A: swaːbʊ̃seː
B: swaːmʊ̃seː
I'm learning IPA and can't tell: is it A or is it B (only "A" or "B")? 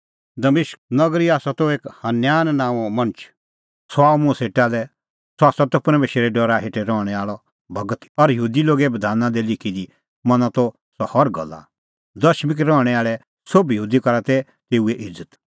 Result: B